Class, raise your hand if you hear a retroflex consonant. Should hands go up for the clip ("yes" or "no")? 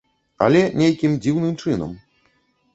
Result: yes